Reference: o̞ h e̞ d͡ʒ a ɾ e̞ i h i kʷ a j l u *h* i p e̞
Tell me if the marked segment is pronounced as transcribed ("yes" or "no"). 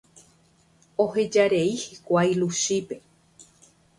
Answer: no